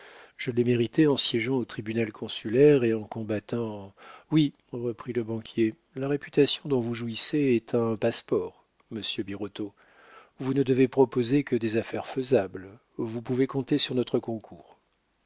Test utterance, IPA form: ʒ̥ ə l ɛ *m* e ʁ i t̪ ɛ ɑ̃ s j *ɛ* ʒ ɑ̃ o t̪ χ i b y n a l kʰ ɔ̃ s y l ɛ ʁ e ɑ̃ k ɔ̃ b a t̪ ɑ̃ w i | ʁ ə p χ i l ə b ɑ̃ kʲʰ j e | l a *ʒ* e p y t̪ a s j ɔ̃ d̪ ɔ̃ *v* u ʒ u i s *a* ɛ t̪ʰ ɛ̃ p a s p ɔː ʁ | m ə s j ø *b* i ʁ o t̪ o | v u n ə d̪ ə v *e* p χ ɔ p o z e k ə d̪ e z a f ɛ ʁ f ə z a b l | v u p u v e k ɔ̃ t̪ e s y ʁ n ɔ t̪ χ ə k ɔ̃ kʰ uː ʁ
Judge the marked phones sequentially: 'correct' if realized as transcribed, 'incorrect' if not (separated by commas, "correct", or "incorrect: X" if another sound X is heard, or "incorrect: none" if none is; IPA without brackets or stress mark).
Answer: correct, correct, incorrect: ʁ, correct, incorrect: e, correct, correct